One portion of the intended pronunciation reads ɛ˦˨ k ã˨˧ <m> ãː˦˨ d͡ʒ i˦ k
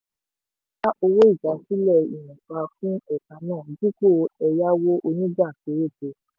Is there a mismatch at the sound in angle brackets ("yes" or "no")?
yes